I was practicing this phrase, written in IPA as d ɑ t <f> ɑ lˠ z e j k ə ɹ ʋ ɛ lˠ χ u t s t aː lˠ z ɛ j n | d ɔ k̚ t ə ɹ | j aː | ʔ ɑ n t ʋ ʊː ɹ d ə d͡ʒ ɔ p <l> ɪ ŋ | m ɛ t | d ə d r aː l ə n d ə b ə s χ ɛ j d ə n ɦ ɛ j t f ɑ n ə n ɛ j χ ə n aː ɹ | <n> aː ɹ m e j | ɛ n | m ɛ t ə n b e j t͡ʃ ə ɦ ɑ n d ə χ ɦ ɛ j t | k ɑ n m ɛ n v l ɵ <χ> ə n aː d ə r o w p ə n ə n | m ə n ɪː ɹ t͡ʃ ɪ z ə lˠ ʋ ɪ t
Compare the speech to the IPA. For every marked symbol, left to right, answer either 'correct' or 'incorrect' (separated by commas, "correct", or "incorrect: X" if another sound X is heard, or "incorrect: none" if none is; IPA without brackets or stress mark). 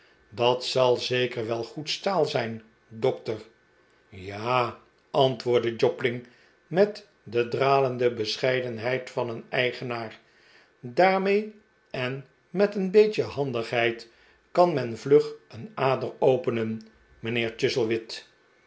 incorrect: s, correct, incorrect: d, correct